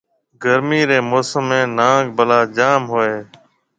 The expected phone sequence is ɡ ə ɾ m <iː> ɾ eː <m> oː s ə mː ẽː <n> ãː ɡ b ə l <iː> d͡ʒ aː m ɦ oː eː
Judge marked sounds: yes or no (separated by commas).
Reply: yes, yes, yes, no